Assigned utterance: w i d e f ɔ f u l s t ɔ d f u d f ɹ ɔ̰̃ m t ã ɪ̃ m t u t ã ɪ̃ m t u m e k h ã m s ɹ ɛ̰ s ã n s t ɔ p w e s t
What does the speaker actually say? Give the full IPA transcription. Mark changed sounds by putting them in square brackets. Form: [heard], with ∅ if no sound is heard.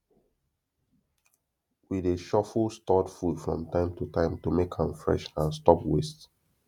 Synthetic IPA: w i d e [ʃ] ɔ f u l s t ɔ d f u d f ɹ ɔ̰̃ m t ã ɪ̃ m t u t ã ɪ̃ m t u m e k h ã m [f] ɹ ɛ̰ [ʃ] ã n s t ɔ p w e s t